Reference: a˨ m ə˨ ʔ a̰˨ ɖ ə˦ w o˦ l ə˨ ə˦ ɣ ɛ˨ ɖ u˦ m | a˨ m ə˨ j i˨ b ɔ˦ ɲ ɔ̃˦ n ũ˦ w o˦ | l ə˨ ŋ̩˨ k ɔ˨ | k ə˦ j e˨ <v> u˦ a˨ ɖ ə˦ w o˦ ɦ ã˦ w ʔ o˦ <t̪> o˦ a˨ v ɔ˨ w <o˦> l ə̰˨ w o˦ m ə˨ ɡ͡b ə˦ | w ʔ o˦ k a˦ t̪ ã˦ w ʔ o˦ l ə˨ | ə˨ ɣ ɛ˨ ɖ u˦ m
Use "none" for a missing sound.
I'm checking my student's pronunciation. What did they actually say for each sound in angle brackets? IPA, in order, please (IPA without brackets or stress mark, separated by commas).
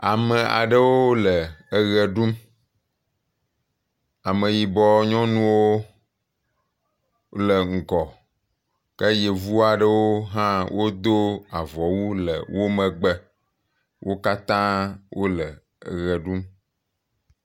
v, d̪, u˦